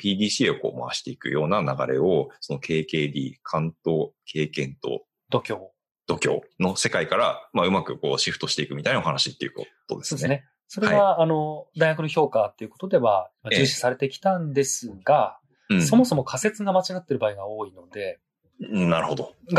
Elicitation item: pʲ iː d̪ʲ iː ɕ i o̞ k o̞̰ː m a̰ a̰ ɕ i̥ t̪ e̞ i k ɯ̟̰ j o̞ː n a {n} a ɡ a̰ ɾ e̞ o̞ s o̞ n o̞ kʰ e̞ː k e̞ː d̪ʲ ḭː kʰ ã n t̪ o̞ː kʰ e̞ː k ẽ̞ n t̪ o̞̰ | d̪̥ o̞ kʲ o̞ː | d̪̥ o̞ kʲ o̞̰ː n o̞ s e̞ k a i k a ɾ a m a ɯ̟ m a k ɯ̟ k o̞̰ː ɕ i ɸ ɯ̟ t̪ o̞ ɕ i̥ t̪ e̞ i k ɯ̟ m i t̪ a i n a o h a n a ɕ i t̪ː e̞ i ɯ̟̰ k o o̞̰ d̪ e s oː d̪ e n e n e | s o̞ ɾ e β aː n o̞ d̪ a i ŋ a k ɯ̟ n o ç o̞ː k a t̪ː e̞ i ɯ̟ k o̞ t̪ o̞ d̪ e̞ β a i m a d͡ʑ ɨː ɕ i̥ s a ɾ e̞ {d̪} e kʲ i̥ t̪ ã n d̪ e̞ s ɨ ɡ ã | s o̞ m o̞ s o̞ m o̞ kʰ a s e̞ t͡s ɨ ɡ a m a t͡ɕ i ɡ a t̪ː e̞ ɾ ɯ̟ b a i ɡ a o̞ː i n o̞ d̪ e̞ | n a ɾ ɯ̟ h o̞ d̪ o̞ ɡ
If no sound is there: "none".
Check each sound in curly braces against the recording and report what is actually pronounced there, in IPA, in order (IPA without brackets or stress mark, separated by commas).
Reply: n, t̪